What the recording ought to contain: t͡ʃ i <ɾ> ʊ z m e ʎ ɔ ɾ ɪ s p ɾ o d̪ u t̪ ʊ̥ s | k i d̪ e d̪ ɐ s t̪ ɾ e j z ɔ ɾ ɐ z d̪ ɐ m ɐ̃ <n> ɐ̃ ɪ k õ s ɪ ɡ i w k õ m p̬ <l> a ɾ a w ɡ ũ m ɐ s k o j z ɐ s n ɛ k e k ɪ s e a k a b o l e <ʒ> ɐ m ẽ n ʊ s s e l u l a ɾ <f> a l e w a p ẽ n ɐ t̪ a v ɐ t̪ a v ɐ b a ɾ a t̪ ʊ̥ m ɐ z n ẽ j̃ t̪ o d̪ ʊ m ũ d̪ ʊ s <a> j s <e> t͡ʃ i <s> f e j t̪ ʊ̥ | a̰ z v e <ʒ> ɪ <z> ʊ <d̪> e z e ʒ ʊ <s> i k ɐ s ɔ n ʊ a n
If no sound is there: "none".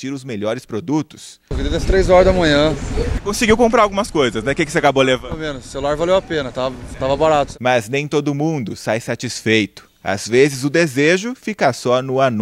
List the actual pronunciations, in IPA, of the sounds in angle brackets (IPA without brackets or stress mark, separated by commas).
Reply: ɾ, ɲ, ɾ, v, v, a, a, s, z, z, d̪, f